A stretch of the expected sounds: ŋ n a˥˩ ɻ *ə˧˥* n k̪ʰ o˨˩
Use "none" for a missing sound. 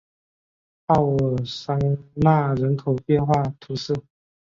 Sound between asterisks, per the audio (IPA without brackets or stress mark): ə˧˥